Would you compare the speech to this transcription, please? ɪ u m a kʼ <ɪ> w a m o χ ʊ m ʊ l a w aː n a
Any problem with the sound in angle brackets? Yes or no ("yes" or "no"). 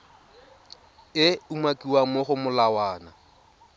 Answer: yes